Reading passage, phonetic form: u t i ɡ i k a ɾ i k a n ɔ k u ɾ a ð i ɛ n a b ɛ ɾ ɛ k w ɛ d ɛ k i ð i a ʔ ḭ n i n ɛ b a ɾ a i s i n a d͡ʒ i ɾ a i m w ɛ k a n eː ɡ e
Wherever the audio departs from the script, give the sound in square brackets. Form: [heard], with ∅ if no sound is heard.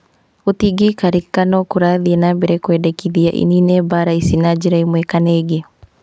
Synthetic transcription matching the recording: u t i ɡ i k a ɾ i k a n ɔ k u ɾ a ð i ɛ n a b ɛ ɾ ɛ k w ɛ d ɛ k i ð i a ʔ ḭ n i n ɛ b a ɾ a i s i n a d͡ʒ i ɾ a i m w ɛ k a n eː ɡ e